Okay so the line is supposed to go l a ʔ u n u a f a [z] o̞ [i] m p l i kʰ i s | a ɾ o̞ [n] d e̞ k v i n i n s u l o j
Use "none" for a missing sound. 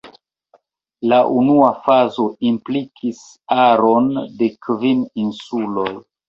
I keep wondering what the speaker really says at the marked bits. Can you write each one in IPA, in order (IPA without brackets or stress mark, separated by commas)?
z, i, n